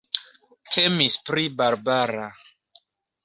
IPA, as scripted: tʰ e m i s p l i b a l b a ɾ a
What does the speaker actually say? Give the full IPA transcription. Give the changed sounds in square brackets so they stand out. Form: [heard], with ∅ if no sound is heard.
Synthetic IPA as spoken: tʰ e m i s p [ɾ] i b a [ɾ] b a ɾ a